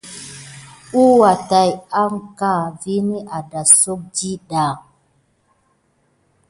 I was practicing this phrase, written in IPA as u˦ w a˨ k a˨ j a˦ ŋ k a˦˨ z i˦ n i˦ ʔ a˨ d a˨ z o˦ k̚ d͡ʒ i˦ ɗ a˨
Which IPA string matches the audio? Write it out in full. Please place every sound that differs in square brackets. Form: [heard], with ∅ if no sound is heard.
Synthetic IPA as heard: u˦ w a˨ [t] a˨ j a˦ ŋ k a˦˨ [v] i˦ n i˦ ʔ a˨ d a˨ [s] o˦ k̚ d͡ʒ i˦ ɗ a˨